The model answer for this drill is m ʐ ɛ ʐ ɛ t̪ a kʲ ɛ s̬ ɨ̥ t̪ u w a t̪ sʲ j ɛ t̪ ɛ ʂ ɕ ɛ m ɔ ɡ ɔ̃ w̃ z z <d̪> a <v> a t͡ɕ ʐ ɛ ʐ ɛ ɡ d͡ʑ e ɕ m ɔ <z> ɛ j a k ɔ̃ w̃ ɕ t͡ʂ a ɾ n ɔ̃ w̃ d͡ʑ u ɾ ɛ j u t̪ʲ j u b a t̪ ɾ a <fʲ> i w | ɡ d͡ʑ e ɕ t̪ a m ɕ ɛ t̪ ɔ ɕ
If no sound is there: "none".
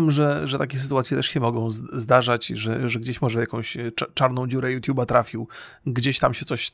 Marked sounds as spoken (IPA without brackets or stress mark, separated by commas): d̪, ʐ, ʐ, fʲ